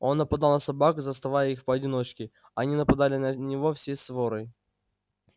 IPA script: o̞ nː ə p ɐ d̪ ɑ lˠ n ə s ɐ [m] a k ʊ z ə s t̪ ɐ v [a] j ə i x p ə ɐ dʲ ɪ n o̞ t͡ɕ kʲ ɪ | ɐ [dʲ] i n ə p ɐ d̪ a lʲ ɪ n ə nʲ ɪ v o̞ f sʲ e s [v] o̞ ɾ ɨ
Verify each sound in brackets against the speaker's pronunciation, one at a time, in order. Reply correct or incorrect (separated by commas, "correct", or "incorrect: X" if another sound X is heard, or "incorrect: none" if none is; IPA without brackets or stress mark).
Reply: incorrect: b, correct, incorrect: nʲ, correct